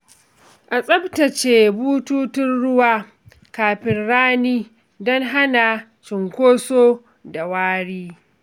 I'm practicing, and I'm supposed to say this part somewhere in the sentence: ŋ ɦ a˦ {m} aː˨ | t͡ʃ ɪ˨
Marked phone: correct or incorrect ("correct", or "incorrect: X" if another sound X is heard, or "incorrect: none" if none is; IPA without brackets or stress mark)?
incorrect: n